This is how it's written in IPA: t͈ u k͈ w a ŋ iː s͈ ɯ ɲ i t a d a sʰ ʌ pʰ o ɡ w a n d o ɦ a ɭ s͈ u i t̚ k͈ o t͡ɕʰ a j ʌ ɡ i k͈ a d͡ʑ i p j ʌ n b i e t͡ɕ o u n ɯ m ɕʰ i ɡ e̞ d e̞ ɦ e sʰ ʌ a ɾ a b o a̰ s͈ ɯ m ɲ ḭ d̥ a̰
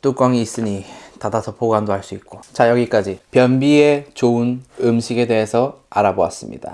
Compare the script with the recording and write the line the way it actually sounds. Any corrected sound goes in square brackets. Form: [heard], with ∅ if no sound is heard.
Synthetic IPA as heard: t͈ u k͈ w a ŋ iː s͈ ɯ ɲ i t a d a sʰ ʌ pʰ o ɡ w a n d o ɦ a ɭ s͈ u i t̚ k͈ o [t͡ɕ] a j ʌ ɡ i k͈ a d͡ʑ i p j ʌ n b i e t͡ɕ o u n ɯ m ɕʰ i ɡ e̞ d e̞ ɦ e sʰ ʌ a ɾ a b o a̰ s͈ ɯ m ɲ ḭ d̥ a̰